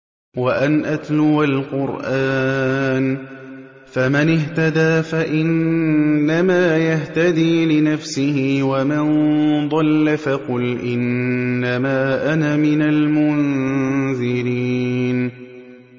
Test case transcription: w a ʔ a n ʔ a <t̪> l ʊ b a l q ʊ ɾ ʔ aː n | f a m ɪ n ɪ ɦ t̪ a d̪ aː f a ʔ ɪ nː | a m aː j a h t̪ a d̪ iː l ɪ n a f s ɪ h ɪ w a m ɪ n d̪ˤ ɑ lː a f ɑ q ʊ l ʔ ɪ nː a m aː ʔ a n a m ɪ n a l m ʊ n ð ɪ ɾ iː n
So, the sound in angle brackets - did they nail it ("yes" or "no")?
yes